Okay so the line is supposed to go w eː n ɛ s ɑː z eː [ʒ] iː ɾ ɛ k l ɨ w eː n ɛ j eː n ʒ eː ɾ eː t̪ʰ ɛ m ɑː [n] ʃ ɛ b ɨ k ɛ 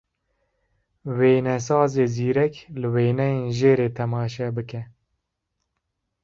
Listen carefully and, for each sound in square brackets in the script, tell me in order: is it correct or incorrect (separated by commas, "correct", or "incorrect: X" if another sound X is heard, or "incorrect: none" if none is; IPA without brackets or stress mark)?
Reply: incorrect: z, incorrect: none